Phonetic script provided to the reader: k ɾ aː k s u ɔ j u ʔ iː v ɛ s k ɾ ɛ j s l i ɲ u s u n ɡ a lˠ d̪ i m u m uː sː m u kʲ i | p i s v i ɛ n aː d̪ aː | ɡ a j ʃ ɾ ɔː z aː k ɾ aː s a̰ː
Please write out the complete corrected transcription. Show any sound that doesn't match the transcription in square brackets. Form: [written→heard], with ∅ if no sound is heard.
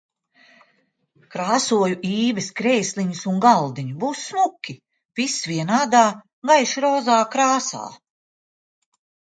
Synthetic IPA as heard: k ɾ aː [k→∅] s u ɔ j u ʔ iː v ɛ s k ɾ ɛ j s l i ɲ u s u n ɡ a lˠ d̪ i [m→ɲ] u [m→b] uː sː m u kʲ i | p i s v i ɛ n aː d̪ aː | ɡ a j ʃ ɾ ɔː z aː k ɾ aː s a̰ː

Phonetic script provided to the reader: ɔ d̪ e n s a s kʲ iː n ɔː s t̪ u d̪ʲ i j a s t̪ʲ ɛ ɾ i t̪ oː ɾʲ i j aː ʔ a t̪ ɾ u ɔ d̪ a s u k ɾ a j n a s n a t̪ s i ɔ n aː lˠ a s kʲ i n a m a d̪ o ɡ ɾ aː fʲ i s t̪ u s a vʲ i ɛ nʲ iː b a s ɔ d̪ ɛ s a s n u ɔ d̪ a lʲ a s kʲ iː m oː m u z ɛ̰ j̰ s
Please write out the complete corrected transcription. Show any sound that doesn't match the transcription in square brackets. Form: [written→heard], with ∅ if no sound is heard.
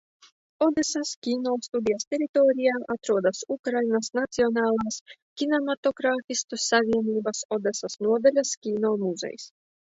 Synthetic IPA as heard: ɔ d̪ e [n→∅] s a s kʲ iː n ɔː s t̪ u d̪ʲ i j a s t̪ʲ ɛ ɾ i t̪ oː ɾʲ i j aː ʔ a t̪ ɾ u ɔ d̪ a s u k ɾ a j n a s n a t̪ s i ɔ n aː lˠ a s kʲ i n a m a [d̪→t̪] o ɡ ɾ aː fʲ i s t̪ u s a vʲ i ɛ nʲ iː b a s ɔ d̪ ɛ s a s n u ɔ d̪ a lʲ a s kʲ iː [m→n] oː m u z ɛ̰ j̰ s

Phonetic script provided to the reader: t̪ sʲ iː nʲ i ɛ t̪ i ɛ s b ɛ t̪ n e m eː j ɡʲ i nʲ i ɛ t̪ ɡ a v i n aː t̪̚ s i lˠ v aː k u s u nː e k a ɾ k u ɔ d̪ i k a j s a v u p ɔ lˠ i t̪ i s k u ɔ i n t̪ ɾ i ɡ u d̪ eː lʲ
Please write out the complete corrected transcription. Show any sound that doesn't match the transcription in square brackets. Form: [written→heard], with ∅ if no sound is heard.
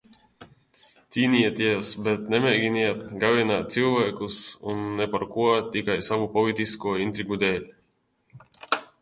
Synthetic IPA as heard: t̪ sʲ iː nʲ i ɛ t̪ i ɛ s b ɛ t̪ n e m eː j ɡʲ i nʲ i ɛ t̪ ɡ a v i n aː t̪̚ s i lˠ v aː k u s u nː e [k→p] a ɾ k u ɔ [d̪→t̪] i k a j s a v u p ɔ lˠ i t̪ i s k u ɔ i n t̪ ɾ i ɡ u d̪ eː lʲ

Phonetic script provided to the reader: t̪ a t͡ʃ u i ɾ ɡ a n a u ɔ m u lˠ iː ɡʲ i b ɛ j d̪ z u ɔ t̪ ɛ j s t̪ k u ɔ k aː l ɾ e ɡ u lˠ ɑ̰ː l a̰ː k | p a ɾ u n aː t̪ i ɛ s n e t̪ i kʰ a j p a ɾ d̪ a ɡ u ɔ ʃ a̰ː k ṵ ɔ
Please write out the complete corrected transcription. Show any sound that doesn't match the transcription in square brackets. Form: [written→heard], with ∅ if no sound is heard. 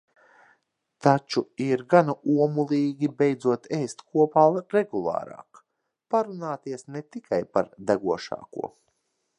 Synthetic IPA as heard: t̪ a t͡ʃ u i ɾ ɡ a n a u ɔ m u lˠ iː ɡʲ i b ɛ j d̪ z u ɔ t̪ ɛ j s t̪ k u ɔ [k→p] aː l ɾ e ɡ u lˠ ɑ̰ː [l→ɾ] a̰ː k | p a ɾ u n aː t̪ i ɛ s n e t̪ i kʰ a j p a ɾ d̪ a ɡ u ɔ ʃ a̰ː k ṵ ɔ

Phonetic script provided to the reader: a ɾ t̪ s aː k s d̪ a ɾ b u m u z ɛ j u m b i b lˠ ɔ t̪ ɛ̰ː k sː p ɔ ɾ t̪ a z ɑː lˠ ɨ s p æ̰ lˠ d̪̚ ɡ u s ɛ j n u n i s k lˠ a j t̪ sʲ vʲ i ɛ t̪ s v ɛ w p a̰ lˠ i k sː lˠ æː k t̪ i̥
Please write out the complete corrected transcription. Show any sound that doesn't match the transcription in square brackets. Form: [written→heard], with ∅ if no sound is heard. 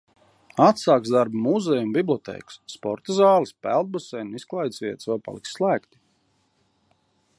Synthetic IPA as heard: a [ɾ→∅] t̪ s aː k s d̪ a ɾ b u m u z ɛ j u m b i b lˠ ɔ t̪ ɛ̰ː k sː p ɔ ɾ t̪ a z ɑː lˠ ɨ s p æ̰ lˠ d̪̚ [ɡ→b] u s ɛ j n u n i s k lˠ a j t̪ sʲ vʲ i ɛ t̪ s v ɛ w p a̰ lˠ i k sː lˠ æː k t̪ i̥

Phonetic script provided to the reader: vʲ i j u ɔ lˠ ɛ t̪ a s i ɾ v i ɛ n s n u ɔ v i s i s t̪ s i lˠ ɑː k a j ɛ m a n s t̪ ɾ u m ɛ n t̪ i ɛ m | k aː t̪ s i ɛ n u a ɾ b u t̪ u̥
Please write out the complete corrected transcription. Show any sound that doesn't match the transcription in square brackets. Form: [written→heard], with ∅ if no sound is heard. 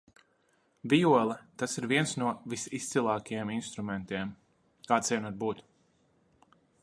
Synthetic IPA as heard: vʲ i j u ɔ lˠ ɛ t̪ a s i ɾ v i ɛ n s n u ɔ v i s i s t̪ s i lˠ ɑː k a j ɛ m [a→i] n s t̪ ɾ u m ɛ n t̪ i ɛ m | k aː t̪ s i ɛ n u a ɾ b [u→uː] t̪ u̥

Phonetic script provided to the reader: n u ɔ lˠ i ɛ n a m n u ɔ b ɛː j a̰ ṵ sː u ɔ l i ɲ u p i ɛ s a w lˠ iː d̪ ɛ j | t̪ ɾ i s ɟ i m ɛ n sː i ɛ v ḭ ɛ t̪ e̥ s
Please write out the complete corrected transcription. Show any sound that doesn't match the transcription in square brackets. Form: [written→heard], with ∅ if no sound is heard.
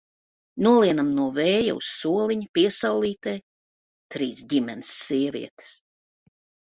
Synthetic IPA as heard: n u ɔ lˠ i ɛ n a m n u ɔ [b→v] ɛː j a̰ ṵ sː u ɔ l i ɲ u p i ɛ s a w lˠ iː [d̪→t̪] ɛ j | t̪ ɾ [i→iː] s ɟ i m ɛ n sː i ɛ v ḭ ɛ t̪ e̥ s

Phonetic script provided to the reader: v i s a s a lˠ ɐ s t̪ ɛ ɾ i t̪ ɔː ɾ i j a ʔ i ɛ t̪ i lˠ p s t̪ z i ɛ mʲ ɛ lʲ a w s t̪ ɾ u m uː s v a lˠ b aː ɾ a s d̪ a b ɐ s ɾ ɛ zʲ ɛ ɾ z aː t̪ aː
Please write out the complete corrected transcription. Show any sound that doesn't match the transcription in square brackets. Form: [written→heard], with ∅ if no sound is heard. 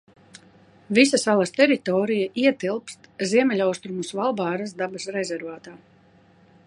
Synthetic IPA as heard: v i s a s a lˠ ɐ s t̪ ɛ ɾ i t̪ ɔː ɾ i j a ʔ i ɛ t̪ i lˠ p s t̪ z i ɛ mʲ ɛ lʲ a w s t̪ ɾ u m [uː→u] s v a lˠ b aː ɾ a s d̪ a b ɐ s ɾ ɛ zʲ ɛ ɾ [z→v] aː t̪ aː

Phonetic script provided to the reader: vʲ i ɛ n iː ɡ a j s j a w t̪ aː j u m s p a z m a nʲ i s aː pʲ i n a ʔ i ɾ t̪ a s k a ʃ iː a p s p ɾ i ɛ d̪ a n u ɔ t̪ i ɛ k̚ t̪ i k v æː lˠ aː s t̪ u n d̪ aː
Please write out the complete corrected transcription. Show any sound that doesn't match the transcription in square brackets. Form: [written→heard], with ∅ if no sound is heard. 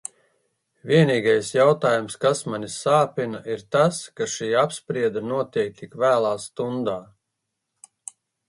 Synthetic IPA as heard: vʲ i ɛ n iː ɡ a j s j a w t̪ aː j u m s [p→k] a [z→s] m a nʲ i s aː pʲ i n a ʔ i ɾ t̪ a s k a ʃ iː a p s p ɾ i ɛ d̪ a n u ɔ t̪ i ɛ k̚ t̪ i k v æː lˠ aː s t̪ u n d̪ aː

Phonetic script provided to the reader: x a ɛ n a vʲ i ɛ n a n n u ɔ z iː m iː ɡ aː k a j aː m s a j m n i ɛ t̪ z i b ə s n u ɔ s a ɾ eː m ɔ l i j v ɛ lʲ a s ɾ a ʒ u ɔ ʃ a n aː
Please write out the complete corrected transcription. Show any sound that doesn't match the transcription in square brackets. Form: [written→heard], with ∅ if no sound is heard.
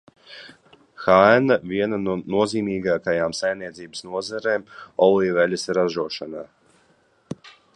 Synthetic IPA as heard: x a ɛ n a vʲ i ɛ n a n n u ɔ z iː m iː ɡ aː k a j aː m s a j m n i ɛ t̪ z [i→iː] b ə s n u ɔ [s→z] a ɾ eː m ɔ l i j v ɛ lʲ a s ɾ a ʒ u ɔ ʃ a n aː

